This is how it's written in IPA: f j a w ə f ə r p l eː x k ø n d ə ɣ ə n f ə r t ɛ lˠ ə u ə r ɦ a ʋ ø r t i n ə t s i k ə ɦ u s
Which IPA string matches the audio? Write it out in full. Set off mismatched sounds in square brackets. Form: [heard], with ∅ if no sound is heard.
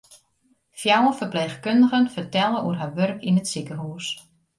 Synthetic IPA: f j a w ə f ə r p l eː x k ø n d ə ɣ ə n f ə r t ɛ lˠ ə u ə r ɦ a ʋ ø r [k] i n ə t s i k ə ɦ u s

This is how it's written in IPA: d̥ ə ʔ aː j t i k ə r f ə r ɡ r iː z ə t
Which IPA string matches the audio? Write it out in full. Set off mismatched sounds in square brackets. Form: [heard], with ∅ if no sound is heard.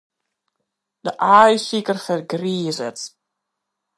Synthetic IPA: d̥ ə ʔ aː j [s] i k ə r f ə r ɡ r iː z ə t

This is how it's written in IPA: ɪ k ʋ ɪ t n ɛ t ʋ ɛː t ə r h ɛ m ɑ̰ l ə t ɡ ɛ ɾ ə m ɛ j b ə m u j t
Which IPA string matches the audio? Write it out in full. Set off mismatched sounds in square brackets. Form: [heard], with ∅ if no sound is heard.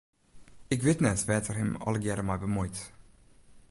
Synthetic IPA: ɪ k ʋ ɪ t n ɛ t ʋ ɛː t ə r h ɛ m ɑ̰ l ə [∅] ɡ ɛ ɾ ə m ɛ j b ə m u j t

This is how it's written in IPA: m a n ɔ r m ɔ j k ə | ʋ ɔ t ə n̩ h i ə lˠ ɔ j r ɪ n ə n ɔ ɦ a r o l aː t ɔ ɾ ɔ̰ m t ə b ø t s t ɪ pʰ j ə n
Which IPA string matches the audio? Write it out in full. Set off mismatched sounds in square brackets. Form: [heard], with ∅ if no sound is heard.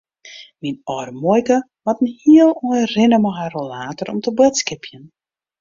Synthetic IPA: m [i] n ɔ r m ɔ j k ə | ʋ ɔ t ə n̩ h i ə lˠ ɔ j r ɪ n ə [m] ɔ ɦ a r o l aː t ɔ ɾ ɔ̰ m t ə b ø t s [k] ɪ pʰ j ə n

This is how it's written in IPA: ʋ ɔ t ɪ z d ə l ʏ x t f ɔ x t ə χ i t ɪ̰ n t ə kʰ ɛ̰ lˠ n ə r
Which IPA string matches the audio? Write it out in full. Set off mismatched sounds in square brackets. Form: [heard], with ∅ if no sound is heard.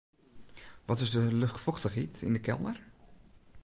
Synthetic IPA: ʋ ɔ t ɪ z d ə l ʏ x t f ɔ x t ə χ i t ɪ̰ n [d] ə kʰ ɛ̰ lˠ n ə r

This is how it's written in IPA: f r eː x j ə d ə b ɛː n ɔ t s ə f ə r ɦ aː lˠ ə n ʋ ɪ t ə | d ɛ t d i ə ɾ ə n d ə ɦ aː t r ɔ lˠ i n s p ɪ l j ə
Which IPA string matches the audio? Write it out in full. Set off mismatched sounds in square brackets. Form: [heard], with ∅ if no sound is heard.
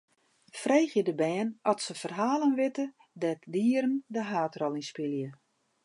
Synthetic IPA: f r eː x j ə d ə b ɛː n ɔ t s ə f ə r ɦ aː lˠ ə n ʋ ɪ t ə | d ɛ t d i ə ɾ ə n d ə ɦ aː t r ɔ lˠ i n s p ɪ l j ə

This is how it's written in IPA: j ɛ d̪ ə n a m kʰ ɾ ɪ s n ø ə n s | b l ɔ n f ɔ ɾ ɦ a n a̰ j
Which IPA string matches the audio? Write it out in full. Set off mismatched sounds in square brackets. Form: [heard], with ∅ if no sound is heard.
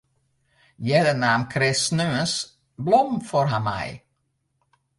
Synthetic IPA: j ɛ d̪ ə n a m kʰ ɾ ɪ s n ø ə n s | b l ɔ [m] f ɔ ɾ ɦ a [m] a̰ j

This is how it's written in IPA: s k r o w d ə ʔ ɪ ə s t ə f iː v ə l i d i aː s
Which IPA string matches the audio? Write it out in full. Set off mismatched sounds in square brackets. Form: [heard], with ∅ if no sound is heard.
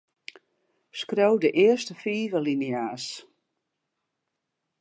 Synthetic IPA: s k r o w d ə ʔ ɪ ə s t ə f iː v ə l i [n] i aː s

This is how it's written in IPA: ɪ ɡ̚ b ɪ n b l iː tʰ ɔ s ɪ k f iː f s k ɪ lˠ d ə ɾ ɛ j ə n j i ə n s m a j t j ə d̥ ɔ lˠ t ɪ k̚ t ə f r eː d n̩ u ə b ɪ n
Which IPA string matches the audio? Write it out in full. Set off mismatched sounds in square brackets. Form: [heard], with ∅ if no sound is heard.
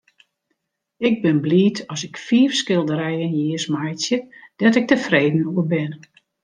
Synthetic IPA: ɪ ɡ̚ b ɪ n b l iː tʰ ɔ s ɪ k f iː f s k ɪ lˠ d ə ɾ ɛ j ə n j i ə [∅] s m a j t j ə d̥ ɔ [∅] t ɪ k̚ t ə f r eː d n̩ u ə b ɪ n

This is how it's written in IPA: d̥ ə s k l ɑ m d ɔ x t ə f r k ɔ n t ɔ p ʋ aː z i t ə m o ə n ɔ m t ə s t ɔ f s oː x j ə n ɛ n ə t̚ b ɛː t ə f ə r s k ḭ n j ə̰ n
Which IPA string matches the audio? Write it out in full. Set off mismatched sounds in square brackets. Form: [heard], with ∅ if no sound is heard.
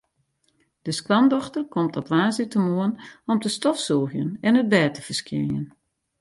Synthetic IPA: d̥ ə s k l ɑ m d ɔ x t ə [∅] r k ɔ [m] t ɔ p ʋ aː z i t ə m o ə n ɔ m t ə s t ɔ f s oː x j ə n ɛ n ə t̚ b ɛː t ə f ə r s k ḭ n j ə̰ n

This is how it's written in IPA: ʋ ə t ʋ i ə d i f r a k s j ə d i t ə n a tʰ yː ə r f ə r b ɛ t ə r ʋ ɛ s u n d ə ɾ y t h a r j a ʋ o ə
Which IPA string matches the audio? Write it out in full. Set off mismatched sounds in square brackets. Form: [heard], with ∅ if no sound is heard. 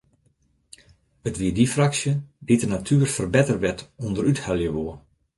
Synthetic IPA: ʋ ə t ʋ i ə d i f r a k s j ə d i t ə n a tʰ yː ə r f ə r b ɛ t ə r ʋ ɛ [t] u n d ə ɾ y t h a [l] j [ə] ʋ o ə

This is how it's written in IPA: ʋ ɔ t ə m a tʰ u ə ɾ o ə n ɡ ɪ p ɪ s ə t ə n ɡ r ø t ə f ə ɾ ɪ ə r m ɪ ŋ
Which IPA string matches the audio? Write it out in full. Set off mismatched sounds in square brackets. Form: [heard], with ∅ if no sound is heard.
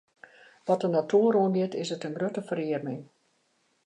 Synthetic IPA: ʋ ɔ t ə [n] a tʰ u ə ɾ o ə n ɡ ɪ [t] ɪ s ə t ə n ɡ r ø t ə f ə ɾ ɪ ə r m ɪ ŋ

